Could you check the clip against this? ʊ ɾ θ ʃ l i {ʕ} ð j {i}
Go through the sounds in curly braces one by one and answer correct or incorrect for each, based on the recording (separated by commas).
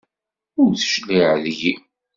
correct, correct